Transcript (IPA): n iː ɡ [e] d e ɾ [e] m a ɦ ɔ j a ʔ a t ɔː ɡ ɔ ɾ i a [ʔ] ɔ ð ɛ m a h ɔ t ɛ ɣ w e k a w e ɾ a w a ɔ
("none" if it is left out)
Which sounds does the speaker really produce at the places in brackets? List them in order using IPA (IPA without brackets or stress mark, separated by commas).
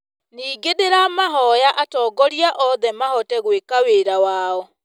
e, a, ʔ